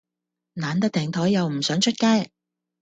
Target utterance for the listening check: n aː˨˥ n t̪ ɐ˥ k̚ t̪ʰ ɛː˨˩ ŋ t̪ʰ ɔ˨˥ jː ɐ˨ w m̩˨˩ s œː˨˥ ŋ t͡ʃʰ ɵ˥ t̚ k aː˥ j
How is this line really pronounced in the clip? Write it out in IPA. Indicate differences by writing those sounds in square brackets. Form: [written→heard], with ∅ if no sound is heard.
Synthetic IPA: n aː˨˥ n t̪ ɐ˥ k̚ t̪ʰ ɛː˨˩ ŋ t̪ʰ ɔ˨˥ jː ɐ˨ w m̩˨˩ s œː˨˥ ŋ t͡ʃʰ ɵ˥ t̚ k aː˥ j